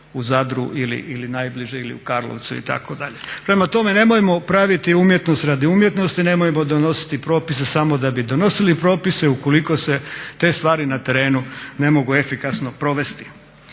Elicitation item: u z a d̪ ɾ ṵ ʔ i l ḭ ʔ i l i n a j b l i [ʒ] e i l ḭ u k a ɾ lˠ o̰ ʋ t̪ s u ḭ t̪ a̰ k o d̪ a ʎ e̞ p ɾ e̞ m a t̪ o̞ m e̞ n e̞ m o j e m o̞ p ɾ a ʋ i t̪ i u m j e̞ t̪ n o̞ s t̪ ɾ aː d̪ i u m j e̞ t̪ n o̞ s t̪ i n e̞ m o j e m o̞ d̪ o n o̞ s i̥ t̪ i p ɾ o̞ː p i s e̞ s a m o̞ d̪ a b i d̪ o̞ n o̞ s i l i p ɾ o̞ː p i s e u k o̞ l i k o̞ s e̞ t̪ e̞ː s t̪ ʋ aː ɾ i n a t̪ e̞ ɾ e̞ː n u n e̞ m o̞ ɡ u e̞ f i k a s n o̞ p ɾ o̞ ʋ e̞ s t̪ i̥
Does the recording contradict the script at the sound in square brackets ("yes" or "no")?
no